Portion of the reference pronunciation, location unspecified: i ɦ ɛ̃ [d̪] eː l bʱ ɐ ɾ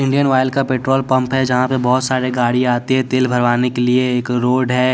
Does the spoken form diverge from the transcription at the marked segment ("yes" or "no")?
yes